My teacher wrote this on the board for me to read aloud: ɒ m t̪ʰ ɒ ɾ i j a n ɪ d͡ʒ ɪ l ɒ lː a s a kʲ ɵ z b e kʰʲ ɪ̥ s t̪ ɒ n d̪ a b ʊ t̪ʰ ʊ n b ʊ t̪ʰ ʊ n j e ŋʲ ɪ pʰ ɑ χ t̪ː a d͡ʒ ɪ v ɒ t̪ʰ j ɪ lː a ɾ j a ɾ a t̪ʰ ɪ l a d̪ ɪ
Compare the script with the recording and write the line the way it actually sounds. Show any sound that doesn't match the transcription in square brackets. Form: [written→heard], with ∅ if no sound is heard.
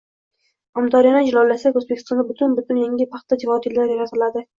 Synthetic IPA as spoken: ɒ m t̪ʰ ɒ ɾ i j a n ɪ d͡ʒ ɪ l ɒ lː a s a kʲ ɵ z b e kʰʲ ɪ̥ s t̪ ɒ n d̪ a b ʊ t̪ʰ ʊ n b ʊ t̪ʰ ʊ n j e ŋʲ ɪ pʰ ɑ χ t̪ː a d͡ʒ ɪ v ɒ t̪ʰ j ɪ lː a ɾ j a ɾ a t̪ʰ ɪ l a d̪ ɪ